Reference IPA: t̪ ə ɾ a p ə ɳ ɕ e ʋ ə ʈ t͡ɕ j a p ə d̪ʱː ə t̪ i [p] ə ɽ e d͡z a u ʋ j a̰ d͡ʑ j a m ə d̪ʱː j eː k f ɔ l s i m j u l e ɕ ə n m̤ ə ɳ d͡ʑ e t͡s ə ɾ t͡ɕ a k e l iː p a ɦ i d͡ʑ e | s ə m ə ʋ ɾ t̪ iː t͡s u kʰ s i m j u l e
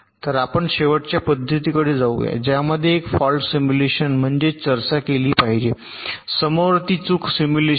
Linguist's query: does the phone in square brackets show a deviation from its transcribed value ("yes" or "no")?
yes